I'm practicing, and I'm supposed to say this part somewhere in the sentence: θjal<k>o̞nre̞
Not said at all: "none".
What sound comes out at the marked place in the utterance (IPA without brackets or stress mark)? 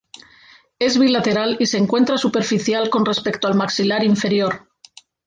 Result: k